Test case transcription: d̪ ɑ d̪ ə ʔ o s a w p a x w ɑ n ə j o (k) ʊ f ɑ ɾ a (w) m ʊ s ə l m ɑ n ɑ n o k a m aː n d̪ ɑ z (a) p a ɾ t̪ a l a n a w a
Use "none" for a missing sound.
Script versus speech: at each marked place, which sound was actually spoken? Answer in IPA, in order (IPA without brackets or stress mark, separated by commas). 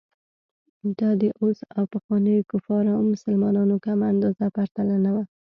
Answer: k, w, a